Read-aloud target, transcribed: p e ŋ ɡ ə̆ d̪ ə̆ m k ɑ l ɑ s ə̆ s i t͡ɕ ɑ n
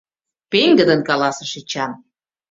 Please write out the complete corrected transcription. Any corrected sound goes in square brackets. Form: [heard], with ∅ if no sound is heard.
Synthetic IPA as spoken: p e ŋ ɡ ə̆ d̪ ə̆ [n] k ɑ l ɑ s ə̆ [ʃ] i t͡ɕ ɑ n

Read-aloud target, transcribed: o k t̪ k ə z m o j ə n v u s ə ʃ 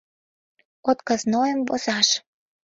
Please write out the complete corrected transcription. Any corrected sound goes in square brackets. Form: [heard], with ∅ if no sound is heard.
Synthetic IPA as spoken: o [∅] t̪ k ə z [n] o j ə [m] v [o] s [ɑ] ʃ

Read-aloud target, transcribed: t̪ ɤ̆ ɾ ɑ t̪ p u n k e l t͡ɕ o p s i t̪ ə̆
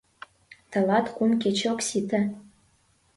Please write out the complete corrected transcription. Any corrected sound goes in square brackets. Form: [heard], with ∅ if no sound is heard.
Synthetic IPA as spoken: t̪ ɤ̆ [l] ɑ t̪ [k] u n k e [∅] t͡ɕ o [k] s i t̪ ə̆

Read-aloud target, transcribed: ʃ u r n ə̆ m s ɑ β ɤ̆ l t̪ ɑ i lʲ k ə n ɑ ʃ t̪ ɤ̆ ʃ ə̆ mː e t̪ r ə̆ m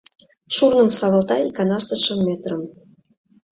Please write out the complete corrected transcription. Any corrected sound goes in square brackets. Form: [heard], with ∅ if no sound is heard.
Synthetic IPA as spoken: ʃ u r n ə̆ m s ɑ β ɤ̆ l t̪ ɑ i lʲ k [ɑ] n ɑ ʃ t̪ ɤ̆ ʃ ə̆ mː e t̪ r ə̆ m

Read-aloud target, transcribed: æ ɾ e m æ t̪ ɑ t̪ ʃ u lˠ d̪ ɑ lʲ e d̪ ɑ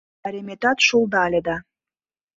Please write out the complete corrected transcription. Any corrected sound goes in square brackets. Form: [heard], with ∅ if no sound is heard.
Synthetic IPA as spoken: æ ɾ e m [e] t̪ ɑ t̪ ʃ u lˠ d̪ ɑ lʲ e d̪ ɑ

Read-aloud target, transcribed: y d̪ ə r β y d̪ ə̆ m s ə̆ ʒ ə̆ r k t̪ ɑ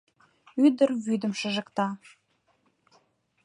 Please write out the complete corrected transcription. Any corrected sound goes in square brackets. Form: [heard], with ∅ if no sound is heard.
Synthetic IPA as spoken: y d̪ ə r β y d̪ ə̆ m [ʃ] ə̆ ʒ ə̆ [∅] k t̪ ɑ

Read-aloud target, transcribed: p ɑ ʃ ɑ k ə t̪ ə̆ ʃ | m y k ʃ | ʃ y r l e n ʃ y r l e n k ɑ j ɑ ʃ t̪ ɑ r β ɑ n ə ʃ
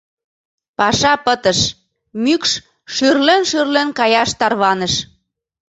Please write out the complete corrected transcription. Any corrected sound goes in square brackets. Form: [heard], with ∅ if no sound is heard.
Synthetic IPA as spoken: p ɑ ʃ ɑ [p] ə t̪ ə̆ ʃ | m y k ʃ | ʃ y r l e n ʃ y r l e n k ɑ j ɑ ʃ t̪ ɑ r β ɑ n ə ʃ

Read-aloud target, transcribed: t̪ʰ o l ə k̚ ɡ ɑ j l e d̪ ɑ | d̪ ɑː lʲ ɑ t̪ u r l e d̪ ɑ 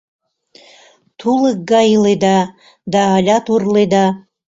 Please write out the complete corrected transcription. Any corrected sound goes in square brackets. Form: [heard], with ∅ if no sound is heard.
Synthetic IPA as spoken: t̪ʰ [u] l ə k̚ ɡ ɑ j l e d̪ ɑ | d̪ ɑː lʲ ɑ t̪ u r l e d̪ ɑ

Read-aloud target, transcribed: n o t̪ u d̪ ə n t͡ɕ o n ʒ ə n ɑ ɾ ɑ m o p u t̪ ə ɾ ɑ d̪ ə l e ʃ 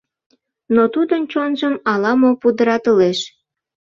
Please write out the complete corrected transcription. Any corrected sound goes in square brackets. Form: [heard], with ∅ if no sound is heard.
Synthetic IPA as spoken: n o t̪ u d̪ ə n t͡ɕ o n ʒ ə [m] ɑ [l] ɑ m o p u [d̪] ə ɾ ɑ [t̪] ə l e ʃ

